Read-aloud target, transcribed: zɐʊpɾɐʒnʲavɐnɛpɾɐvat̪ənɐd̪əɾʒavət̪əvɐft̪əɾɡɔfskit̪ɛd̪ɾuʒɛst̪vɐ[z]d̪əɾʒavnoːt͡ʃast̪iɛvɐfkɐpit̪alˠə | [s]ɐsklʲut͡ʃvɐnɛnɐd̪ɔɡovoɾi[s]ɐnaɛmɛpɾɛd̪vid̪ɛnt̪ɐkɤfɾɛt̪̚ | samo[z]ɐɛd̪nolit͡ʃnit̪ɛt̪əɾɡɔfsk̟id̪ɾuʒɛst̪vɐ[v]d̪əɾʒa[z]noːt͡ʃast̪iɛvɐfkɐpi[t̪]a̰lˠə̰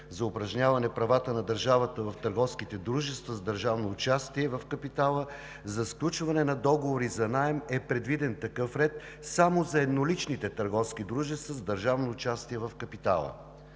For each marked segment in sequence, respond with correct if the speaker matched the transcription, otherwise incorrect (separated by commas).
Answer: correct, incorrect, incorrect, correct, incorrect, incorrect, correct